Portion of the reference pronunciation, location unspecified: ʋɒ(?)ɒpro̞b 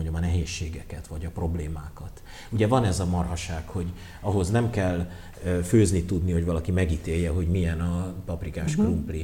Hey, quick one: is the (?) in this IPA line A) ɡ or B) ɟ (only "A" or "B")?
B